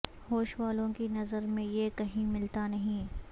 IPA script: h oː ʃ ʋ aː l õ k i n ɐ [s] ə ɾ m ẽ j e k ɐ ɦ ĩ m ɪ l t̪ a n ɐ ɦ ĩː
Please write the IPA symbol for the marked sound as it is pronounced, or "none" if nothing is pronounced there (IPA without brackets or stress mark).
z